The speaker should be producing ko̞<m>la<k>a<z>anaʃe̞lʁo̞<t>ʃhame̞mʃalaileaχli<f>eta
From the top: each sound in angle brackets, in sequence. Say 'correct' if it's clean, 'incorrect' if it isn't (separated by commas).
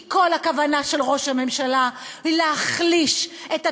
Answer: incorrect, correct, incorrect, incorrect, incorrect